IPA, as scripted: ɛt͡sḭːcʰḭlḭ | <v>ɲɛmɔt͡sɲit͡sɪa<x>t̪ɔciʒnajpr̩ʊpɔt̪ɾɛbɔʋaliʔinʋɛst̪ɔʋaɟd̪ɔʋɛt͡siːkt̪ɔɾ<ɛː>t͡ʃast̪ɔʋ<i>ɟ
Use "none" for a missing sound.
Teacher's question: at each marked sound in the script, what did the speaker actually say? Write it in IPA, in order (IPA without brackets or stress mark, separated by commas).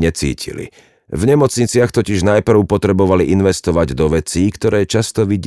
v, x, ɛː, i